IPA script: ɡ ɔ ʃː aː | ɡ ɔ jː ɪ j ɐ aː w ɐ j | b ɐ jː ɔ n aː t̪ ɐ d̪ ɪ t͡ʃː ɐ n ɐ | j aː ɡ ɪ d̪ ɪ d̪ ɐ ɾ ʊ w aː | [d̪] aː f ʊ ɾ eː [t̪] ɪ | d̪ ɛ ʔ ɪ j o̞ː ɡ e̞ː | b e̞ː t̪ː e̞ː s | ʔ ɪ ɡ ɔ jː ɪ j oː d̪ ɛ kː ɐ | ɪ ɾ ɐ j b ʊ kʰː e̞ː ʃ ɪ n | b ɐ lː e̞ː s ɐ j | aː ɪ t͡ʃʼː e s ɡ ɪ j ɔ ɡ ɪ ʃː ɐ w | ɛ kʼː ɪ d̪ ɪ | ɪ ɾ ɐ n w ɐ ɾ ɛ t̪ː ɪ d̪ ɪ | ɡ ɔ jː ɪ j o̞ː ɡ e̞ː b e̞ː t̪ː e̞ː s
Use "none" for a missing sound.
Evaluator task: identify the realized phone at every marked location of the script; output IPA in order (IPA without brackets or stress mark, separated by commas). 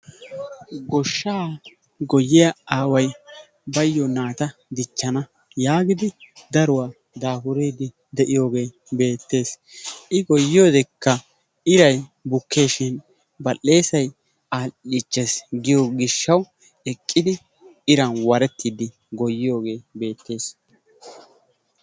d̪, d̪